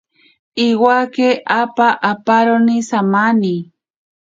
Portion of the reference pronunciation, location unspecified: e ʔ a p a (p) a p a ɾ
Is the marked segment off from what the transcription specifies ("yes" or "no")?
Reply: yes